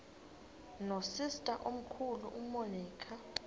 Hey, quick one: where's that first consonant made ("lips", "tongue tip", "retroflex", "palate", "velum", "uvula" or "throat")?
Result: tongue tip